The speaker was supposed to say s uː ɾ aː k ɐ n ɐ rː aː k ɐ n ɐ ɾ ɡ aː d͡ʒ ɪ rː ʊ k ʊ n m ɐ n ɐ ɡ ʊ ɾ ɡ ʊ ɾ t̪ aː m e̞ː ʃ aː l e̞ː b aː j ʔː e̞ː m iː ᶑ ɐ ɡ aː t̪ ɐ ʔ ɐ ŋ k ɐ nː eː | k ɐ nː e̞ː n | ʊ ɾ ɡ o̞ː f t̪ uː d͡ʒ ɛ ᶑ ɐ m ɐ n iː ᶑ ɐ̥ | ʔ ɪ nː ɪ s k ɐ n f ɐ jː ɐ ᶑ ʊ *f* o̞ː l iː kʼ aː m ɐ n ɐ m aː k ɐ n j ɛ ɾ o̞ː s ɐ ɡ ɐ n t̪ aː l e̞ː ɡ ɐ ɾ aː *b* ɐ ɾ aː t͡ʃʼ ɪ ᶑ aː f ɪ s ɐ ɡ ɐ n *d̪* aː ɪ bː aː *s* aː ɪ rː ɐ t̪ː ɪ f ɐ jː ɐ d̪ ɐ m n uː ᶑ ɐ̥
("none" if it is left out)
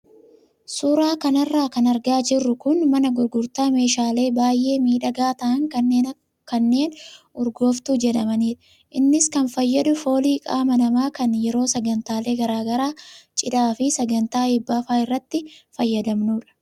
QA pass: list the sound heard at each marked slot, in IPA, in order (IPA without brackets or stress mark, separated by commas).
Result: f, ɡ, t̪, f